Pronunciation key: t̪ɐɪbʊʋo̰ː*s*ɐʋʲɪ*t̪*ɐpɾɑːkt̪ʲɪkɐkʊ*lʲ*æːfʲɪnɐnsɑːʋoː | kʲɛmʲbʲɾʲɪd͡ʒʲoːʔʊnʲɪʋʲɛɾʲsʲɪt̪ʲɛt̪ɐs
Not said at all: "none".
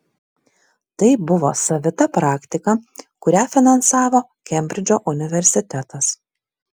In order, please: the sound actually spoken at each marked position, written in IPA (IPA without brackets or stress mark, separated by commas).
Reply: s, t̪, ɾʲ